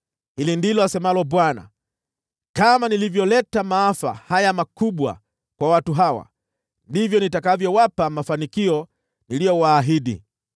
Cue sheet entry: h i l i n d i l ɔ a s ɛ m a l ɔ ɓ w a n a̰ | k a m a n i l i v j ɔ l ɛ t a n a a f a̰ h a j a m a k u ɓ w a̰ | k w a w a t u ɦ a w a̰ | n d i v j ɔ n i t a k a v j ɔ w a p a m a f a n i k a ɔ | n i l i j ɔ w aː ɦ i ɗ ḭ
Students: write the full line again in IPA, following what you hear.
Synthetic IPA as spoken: h i l i n d i l ɔ a s ɛ m a l ɔ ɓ w a n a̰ | k a m a n i l i v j ɔ l ɛ t a m a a f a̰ h a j a m a k u ɓ w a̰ | k w a w a t u ɦ a w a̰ | n d i v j ɔ n i t a k a v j ɔ w a p a m a f a n i k i ɔ | n i l i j ɔ w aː ɦ i ɗ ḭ